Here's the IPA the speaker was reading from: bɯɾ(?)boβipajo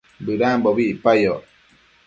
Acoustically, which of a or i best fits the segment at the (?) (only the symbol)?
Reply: a